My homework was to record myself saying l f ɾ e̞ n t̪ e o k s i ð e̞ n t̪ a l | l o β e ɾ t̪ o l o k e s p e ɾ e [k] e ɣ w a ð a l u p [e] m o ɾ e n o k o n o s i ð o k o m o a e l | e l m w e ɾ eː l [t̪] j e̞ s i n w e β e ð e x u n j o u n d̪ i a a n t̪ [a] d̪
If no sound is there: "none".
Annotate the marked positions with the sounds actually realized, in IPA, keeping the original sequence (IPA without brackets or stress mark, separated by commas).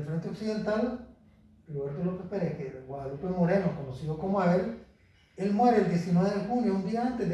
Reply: k, e, d̪, e